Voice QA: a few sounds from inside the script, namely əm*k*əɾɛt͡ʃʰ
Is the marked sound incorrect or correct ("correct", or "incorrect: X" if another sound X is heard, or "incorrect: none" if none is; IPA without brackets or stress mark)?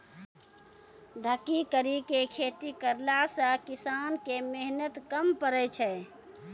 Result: incorrect: p